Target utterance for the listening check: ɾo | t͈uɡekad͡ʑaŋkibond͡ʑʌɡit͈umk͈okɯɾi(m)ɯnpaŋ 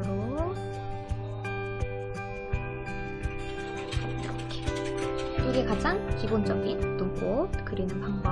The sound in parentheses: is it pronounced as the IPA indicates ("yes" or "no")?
no